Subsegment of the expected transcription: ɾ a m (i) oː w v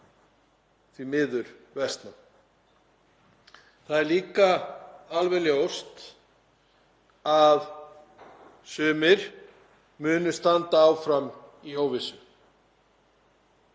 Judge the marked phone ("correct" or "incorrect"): correct